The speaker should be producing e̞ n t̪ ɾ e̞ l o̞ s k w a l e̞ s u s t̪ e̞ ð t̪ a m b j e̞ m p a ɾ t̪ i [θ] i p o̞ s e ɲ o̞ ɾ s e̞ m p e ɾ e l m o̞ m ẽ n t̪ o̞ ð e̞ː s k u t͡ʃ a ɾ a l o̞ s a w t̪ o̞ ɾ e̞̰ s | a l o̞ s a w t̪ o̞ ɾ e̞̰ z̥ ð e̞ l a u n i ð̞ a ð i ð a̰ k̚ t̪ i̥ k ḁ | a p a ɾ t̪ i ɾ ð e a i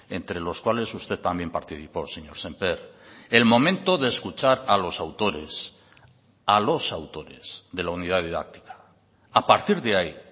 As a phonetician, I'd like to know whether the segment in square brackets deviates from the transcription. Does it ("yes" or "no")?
no